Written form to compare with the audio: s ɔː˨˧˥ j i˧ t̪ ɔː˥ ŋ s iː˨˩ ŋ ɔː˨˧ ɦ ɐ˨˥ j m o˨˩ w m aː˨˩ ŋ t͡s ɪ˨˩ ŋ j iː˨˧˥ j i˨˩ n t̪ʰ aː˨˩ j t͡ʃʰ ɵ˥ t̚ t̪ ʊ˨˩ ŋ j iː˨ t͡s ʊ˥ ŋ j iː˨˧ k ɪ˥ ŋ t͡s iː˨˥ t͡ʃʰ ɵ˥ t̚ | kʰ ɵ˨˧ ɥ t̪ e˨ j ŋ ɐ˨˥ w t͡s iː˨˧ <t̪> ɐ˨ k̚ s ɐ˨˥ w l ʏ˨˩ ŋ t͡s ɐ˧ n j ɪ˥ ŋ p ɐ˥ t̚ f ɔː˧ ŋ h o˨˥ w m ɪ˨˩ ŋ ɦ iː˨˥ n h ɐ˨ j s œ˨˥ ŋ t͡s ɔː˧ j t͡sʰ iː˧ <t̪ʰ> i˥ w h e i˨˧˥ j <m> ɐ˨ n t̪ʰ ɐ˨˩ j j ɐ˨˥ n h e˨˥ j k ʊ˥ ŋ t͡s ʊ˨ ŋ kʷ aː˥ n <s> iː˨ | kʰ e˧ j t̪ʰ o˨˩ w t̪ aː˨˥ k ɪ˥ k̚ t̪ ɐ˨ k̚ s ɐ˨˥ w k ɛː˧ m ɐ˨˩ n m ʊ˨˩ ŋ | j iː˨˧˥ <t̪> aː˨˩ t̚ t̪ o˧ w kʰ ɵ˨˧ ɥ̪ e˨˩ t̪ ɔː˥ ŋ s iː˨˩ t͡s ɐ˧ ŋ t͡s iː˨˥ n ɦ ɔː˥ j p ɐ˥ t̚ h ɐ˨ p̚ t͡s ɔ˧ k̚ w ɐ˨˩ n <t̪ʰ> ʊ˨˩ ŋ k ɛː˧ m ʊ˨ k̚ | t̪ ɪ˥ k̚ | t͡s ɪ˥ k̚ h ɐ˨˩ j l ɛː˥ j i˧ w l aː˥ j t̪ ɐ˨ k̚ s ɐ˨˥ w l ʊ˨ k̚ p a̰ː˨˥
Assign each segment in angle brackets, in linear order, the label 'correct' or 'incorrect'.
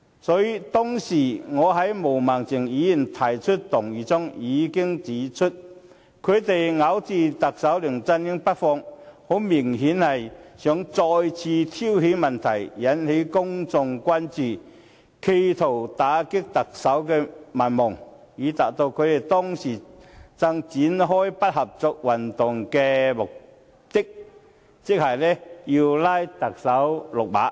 correct, correct, correct, incorrect, correct, incorrect

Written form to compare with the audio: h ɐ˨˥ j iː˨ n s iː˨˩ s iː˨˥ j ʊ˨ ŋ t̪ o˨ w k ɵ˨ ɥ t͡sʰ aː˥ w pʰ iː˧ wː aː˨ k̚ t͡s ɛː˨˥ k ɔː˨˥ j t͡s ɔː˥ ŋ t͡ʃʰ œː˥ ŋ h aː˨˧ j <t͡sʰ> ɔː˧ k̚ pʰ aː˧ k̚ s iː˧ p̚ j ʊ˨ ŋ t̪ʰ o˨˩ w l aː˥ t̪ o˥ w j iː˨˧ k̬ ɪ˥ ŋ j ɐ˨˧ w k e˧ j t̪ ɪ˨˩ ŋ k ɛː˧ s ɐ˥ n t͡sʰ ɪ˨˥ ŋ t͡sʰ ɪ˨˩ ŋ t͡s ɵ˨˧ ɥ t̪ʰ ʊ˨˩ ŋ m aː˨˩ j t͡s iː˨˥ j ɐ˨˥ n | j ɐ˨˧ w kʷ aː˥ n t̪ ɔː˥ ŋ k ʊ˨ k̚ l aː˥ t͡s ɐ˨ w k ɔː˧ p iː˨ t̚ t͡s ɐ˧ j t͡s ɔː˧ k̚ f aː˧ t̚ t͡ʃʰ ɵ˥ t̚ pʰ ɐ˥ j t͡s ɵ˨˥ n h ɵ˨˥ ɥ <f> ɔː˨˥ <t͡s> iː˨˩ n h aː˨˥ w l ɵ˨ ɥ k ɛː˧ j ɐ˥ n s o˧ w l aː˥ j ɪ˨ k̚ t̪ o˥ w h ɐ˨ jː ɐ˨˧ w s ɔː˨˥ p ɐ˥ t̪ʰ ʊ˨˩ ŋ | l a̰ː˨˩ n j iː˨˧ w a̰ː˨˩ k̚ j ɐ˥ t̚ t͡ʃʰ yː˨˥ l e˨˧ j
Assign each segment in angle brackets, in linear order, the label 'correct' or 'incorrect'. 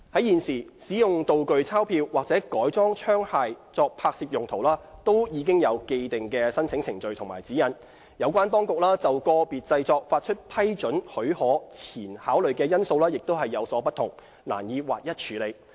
incorrect, incorrect, incorrect

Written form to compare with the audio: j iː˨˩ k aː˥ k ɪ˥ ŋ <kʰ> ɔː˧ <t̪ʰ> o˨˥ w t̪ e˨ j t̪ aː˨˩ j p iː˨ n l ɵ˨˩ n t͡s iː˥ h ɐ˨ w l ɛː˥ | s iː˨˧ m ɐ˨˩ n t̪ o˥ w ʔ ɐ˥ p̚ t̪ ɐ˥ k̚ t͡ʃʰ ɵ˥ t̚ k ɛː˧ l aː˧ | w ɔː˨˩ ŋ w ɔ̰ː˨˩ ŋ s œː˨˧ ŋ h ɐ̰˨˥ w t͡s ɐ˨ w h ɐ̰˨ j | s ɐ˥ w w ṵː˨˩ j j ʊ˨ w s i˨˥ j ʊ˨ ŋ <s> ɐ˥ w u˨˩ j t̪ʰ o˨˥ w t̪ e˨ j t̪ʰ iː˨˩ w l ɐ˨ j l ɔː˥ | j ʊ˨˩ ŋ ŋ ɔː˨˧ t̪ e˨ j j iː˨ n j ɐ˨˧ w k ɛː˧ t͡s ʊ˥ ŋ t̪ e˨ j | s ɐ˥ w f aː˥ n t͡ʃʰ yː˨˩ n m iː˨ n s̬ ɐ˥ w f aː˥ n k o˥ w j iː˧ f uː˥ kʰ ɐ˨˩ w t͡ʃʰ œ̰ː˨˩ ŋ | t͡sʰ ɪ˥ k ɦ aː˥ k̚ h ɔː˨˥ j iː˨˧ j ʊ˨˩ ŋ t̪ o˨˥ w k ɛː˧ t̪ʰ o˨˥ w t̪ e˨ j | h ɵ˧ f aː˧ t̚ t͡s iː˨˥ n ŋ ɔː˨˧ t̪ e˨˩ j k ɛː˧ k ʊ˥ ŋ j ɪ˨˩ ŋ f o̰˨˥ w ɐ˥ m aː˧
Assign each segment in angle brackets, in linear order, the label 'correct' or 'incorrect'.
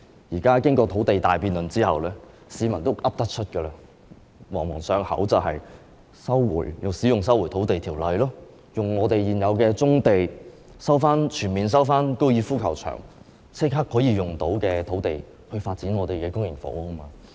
incorrect, correct, correct

